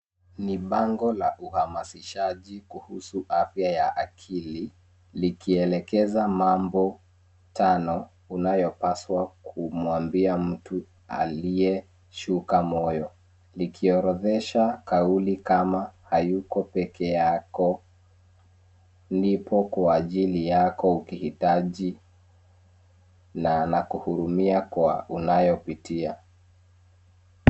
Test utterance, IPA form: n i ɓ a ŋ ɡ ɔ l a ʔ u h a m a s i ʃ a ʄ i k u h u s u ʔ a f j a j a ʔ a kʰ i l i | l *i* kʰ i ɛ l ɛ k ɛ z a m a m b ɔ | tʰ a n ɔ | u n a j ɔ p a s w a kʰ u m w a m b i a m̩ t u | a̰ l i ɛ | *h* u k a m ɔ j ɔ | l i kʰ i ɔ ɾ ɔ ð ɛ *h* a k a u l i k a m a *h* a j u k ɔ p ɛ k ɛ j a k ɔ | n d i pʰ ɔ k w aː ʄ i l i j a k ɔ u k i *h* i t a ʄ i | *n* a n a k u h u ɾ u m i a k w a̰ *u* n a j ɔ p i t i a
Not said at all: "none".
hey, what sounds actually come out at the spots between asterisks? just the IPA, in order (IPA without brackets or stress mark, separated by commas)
i, ʃ, ʃ, h, h, n, u